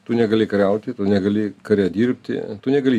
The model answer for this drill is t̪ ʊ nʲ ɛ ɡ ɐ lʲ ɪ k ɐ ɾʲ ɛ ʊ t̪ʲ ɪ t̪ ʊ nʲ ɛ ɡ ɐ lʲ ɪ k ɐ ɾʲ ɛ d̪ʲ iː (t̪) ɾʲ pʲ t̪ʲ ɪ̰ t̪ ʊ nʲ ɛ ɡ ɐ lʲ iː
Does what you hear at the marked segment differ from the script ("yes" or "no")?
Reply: yes